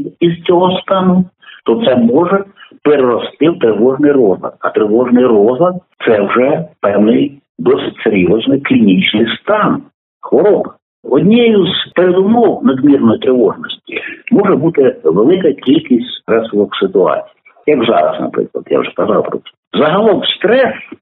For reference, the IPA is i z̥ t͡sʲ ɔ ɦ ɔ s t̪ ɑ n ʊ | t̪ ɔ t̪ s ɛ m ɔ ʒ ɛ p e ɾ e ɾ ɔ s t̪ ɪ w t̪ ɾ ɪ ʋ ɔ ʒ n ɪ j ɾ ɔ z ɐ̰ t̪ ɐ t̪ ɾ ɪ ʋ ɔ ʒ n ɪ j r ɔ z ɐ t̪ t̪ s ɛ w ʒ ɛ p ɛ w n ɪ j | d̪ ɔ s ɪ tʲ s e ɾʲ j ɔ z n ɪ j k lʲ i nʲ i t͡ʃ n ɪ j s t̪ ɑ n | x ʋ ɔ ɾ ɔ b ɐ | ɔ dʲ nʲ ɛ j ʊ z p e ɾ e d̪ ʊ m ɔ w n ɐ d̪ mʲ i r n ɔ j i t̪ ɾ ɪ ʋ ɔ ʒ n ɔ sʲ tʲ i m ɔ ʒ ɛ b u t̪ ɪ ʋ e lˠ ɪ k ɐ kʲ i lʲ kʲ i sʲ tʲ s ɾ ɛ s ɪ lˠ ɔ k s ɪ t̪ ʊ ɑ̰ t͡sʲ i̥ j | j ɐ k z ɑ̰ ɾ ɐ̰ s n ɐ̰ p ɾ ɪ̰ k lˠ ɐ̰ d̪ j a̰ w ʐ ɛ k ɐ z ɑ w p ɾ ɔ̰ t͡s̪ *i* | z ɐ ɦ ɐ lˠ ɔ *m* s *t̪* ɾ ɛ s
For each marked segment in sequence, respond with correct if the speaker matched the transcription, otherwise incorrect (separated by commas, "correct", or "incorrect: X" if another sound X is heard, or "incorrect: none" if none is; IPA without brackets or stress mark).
incorrect: ɛ, correct, correct